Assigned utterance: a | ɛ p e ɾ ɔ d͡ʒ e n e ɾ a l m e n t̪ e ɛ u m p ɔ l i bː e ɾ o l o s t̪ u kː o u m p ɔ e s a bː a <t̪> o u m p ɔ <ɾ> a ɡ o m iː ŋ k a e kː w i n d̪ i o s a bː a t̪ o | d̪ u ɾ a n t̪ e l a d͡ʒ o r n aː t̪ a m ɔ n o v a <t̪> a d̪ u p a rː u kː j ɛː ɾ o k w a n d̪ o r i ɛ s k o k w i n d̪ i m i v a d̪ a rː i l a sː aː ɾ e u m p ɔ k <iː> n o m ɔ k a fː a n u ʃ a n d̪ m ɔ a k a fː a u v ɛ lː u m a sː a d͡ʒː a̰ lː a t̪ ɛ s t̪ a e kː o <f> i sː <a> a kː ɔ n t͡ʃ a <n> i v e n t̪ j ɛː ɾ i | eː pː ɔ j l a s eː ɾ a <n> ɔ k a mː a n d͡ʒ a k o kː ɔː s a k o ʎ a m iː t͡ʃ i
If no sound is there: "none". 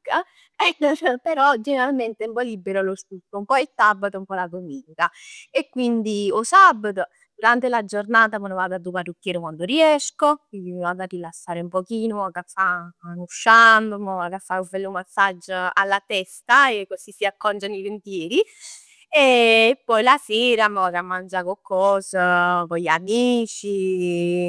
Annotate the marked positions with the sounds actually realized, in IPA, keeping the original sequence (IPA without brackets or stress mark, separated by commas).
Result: t̪, l, d̪, iː, s, i, n, m